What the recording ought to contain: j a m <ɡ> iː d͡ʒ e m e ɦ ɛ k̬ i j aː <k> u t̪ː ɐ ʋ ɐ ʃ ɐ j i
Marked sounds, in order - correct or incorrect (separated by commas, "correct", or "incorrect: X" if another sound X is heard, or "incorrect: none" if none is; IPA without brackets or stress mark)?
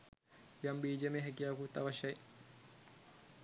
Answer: incorrect: b, correct